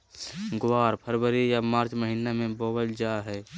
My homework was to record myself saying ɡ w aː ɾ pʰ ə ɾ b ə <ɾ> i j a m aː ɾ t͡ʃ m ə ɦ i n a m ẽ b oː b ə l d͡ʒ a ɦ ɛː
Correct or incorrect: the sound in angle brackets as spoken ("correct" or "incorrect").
correct